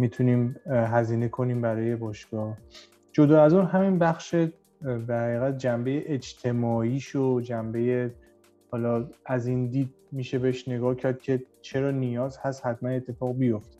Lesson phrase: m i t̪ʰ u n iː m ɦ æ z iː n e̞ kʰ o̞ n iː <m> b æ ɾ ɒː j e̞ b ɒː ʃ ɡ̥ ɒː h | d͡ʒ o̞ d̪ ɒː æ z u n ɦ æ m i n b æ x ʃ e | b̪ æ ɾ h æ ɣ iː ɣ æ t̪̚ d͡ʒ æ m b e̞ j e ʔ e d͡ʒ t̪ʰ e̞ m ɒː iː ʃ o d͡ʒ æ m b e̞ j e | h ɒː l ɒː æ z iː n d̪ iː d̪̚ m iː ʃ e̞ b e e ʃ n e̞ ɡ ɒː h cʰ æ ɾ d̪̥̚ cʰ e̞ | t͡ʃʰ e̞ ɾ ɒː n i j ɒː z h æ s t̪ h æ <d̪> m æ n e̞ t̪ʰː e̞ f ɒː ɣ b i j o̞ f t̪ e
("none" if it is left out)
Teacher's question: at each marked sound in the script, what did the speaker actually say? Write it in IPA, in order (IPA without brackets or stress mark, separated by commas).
m, t̪